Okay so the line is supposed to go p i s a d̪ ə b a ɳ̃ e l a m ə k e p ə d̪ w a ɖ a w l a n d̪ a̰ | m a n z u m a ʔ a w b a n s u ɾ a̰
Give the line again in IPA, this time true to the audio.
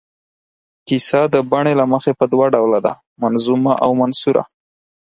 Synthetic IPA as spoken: k i s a d̪ ə b a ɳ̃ e l a m ə x e p ə d̪ w a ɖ a w l a d̪ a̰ | m a n z u m a ʔ a w m a n s u ɾ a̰